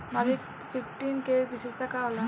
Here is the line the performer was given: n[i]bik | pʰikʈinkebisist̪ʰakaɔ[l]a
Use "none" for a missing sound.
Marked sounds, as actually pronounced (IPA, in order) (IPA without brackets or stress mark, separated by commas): a, l